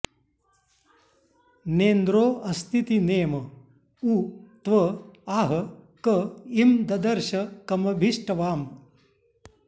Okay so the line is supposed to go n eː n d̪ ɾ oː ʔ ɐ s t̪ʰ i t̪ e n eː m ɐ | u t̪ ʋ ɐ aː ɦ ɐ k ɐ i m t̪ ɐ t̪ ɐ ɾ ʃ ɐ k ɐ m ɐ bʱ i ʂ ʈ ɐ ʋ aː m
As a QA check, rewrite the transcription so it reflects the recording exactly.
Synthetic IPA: n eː n d̪ ɾ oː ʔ ɐ s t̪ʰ i t̪ i n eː m ɐ | u t̪ ʋ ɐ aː ɦ ɐ k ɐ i m d̪ ɐ d̪ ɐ ɾ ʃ ɐ k ɐ m ɐ bʱ i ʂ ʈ ɐ ʋ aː m

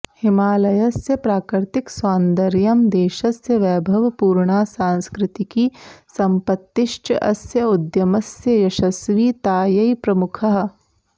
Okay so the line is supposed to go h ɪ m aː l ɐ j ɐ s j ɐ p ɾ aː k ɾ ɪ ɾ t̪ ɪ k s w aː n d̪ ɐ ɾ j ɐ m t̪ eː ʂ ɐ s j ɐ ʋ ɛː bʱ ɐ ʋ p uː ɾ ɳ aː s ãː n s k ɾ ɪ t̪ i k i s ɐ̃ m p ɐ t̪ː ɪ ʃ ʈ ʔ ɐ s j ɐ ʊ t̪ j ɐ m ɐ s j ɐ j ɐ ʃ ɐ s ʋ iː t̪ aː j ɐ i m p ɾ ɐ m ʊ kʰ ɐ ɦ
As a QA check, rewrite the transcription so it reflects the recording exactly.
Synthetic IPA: h ɪ m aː l ɐ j ɐ s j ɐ p ɾ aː k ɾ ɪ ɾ t̪ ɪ k s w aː n d̪ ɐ ɾ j ɐ m d̪ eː ʃ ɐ s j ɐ ʋ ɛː bʱ ɐ ʋ p uː ɾ ɳ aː s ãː n s k ɾ ɪ t̪ i k i s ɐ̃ m p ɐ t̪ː ɪ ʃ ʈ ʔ ɐ s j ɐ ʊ d̪ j ɐ m ɐ s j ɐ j ɐ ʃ ɐ s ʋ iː t̪ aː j ɐ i p ɾ ɐ m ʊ kʰ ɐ ɦ

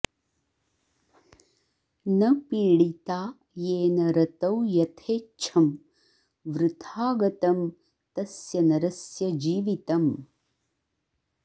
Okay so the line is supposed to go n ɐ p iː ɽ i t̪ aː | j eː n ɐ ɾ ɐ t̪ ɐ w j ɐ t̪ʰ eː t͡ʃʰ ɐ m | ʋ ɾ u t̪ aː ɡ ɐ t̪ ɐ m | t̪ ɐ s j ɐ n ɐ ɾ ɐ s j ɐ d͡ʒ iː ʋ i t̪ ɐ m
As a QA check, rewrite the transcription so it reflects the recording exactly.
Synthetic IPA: n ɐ p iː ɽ i t̪ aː | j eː n ɐ ɾ ɐ t̪ ɐ w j ɐ t̪ʰ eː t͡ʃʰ ɐ m | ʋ ɾ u t̪ʰ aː ɡ ɐ t̪ ɐ m | t̪ ɐ s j ɐ n ɐ ɾ ɐ s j ɐ d͡ʒ iː ʋ i t̪ ɐ m

